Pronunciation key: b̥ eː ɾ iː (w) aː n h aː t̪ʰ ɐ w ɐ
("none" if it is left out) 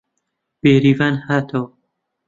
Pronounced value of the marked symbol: v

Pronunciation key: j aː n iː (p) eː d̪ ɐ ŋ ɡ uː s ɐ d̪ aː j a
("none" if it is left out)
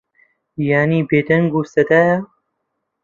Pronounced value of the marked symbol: b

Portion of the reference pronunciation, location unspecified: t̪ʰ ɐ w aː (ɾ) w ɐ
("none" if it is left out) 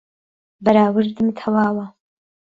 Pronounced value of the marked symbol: none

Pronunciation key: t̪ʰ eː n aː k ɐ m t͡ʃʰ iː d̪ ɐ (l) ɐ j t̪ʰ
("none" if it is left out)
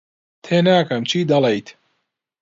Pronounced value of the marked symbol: l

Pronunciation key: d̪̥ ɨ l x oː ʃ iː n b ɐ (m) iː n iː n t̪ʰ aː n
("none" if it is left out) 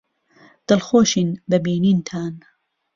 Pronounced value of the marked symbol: b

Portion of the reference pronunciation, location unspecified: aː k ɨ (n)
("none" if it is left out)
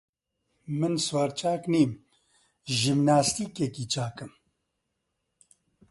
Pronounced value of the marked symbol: m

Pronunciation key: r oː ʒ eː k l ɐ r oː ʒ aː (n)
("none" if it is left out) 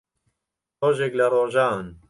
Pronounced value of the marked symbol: n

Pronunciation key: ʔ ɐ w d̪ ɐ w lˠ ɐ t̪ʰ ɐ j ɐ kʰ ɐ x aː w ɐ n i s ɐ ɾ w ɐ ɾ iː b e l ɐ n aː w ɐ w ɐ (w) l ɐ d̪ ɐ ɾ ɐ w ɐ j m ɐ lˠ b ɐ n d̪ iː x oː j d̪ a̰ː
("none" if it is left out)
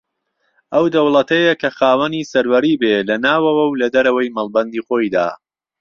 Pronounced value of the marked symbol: w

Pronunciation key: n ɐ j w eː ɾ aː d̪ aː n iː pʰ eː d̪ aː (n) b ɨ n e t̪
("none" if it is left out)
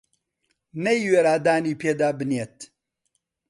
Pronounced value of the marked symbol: none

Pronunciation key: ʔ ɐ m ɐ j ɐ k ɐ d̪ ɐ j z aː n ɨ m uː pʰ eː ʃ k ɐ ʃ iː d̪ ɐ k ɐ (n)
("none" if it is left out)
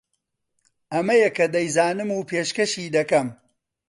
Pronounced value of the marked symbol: m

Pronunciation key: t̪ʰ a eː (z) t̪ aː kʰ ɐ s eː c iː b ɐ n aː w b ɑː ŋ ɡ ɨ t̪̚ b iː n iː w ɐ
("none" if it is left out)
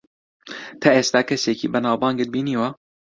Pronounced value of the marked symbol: s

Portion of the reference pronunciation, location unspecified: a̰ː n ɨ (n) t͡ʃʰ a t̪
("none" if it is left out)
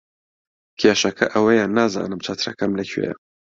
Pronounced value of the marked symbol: m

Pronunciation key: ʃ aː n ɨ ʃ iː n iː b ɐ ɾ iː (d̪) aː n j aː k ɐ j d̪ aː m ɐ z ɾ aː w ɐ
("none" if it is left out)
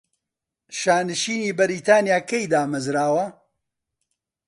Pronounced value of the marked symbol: t̪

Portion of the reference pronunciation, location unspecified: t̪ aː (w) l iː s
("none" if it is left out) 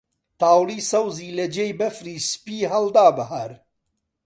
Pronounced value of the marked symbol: w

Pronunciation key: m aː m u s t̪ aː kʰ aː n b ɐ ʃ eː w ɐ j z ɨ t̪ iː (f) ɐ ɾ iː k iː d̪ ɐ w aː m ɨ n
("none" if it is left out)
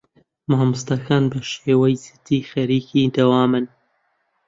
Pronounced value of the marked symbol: x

